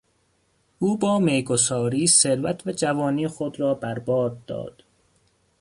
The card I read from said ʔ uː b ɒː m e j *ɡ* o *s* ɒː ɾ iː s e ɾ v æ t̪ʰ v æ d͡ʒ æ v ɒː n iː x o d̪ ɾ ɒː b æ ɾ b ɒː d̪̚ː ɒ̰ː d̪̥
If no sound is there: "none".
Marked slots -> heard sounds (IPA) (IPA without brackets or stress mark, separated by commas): ɡ, s